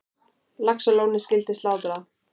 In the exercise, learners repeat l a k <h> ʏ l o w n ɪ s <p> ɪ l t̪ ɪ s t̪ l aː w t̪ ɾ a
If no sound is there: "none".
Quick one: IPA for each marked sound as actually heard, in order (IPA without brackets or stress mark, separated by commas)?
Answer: s, c